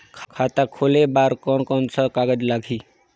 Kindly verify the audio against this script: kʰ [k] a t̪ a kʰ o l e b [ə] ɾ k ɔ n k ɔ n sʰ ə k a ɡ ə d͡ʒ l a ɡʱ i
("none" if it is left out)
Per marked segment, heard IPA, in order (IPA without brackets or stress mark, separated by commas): kʰ, a